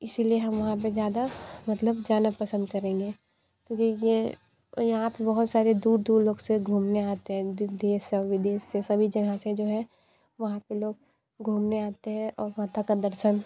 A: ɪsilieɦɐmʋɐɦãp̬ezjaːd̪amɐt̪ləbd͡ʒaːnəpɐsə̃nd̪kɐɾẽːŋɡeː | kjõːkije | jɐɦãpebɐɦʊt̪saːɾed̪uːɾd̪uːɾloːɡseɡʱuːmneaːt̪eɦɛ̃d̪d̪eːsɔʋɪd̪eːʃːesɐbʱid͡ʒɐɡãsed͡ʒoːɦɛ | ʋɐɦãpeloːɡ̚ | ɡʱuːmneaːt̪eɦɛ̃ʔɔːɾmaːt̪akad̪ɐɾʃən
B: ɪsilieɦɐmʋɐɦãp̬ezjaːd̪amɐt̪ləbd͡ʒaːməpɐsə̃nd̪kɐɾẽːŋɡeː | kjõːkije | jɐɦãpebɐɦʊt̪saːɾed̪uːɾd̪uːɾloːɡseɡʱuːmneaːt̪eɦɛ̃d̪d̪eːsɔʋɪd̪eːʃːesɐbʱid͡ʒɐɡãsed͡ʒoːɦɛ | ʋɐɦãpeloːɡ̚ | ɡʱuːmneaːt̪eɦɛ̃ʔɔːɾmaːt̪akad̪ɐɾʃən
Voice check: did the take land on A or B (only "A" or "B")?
A